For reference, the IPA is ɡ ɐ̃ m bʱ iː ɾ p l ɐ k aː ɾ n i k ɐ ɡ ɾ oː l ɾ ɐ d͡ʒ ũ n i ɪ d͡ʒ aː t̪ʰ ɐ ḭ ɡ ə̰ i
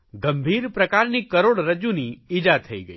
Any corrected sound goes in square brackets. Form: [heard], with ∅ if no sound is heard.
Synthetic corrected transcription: ɡ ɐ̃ m bʱ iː ɾ p [ɾ] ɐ k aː ɾ n i k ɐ [∅] ɾ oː [ɽ] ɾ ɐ d͡ʒ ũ n i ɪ d͡ʒ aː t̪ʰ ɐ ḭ ɡ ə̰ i